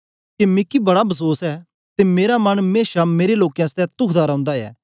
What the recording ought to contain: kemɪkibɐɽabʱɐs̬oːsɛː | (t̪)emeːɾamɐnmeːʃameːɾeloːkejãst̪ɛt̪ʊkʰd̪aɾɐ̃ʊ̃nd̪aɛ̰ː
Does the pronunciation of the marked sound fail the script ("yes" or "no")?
no